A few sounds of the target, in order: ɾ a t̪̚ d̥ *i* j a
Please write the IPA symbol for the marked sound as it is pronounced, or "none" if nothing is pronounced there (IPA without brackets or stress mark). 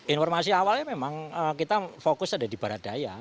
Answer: a